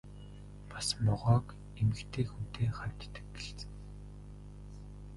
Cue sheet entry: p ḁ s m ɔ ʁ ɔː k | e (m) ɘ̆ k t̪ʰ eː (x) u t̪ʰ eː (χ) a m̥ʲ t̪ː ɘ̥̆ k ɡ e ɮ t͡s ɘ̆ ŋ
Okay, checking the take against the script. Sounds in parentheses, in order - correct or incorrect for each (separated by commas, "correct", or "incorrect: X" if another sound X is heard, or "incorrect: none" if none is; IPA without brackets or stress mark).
correct, correct, correct